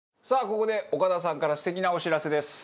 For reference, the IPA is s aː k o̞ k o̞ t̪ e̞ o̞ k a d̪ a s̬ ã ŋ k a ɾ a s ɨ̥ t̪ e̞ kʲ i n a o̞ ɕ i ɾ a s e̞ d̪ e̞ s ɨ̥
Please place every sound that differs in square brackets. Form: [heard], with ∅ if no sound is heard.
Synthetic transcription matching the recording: s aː k o̞ k o̞ [d̪] e̞ o̞ k a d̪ a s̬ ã ŋ k a ɾ a s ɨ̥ t̪ e̞ kʲ i n a o̞ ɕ i ɾ a s e̞ d̪ e̞ s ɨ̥